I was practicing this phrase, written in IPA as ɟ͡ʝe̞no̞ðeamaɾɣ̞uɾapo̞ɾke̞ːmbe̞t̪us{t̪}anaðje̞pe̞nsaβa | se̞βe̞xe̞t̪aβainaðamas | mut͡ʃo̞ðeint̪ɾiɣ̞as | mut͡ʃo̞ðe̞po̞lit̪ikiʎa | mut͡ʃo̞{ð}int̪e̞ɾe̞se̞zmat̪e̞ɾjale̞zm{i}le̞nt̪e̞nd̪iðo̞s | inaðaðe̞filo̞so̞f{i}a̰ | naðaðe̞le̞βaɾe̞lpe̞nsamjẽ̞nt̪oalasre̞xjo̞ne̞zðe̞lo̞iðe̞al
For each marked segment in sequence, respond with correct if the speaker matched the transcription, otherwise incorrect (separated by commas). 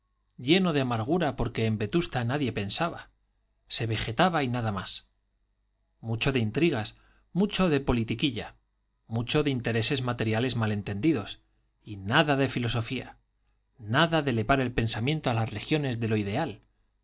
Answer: correct, correct, incorrect, correct